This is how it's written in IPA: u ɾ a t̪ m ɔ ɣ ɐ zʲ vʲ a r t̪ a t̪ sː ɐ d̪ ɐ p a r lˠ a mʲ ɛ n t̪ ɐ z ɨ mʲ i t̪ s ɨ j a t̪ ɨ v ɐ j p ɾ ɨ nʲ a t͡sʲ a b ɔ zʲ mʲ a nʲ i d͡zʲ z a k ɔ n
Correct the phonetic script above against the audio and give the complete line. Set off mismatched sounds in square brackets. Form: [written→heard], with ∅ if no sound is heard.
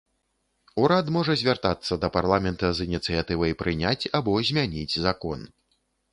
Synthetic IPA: u ɾ a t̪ m ɔ [ɣ→ʐ] ɐ zʲ vʲ a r t̪ a t̪ sː ɐ d̪ ɐ p a r lˠ a mʲ ɛ n t̪ ɐ z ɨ [mʲ→nʲ] i t̪ s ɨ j a t̪ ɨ v ɐ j p ɾ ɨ nʲ a t͡sʲ a b ɔ zʲ mʲ a nʲ i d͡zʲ z a k ɔ n